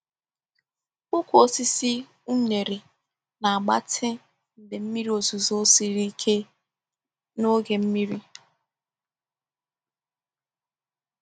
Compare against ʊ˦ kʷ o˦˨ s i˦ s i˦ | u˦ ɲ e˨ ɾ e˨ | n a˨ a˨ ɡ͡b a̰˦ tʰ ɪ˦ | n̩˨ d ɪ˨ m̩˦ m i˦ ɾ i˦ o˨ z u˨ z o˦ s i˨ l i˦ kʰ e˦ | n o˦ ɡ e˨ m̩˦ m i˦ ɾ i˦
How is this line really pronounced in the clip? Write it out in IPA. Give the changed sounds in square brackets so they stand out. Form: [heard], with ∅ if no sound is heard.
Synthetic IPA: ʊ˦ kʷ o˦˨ s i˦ s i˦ | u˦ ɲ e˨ ɾ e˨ | n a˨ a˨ ɡ͡b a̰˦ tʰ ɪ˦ | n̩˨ d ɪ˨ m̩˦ m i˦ ɾ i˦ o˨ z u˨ z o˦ s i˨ [ɾ] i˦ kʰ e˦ | n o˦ ɡ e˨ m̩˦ m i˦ ɾ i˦